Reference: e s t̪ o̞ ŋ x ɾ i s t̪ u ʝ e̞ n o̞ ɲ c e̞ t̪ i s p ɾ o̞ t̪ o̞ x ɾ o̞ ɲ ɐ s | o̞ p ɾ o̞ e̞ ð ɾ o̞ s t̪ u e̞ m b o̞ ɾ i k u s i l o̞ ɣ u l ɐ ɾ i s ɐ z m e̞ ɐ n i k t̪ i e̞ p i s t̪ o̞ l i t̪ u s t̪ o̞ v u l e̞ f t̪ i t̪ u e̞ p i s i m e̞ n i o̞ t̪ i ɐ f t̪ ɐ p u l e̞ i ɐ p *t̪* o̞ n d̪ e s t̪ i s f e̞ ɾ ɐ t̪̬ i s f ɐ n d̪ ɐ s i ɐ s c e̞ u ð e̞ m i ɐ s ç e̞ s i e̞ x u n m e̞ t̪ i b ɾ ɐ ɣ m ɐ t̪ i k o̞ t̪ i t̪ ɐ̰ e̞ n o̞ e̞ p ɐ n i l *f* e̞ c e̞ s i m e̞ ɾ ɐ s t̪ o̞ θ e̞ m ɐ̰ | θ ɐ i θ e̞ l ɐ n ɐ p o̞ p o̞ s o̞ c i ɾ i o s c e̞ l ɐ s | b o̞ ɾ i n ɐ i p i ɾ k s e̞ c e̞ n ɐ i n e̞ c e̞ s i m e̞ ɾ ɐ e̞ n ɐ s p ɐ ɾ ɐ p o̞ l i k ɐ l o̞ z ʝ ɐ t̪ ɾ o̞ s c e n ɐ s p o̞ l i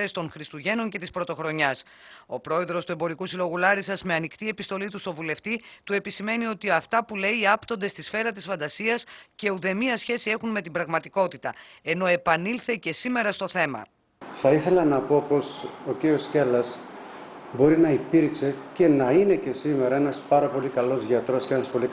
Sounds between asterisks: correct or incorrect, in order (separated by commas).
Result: correct, incorrect